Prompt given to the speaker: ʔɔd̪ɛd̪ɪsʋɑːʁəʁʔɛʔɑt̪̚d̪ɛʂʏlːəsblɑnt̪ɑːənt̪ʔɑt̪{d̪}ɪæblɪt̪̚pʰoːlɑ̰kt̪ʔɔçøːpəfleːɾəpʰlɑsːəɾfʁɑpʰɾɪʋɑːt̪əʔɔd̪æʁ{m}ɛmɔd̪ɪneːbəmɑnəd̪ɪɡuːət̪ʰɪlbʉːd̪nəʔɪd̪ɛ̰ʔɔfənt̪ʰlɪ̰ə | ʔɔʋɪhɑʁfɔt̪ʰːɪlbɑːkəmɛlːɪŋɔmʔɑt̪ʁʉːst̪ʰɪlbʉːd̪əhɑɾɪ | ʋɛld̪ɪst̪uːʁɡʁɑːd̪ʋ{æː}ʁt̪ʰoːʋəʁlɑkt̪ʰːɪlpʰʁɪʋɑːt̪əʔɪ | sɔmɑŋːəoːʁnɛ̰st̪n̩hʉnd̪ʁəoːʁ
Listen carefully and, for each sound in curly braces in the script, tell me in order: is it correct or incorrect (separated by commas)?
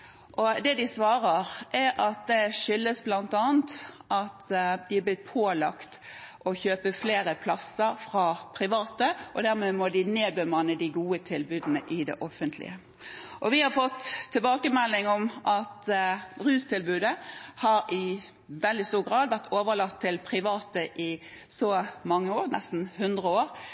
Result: correct, correct, incorrect